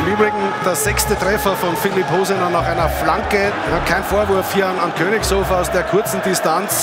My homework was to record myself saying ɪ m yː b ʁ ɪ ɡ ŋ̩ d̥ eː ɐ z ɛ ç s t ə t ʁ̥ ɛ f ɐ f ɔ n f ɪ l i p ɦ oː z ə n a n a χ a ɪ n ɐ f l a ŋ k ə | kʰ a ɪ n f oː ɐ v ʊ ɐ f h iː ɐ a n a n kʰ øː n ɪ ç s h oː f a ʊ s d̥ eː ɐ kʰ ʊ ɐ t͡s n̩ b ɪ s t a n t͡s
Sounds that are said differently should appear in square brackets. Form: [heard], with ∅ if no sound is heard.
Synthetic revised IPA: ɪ m yː b ʁ ɪ ɡ ŋ̩ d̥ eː ɐ z ɛ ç s t ə t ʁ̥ ɛ f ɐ f ɔ n f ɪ l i p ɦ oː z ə n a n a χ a ɪ n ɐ f l a ŋ k ə | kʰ a ɪ n f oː ɐ v ʊ ɐ f h iː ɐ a n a n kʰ øː n ɪ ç s h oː f a ʊ s d̥ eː ɐ kʰ ʊ ɐ t͡s n̩ [d] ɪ s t a n t͡s